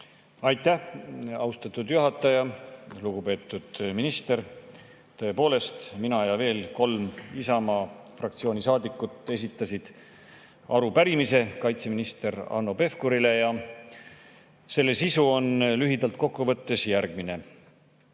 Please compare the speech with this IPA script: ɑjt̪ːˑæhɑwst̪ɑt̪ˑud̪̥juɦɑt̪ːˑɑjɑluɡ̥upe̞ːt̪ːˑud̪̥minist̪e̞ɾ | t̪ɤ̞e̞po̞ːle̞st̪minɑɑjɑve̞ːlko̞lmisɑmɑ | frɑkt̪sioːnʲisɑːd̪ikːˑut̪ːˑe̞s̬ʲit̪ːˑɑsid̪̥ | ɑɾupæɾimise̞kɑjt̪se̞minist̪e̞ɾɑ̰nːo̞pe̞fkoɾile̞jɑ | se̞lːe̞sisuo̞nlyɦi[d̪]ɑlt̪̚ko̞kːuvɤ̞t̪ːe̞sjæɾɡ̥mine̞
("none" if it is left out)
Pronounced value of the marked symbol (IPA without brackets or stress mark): d̪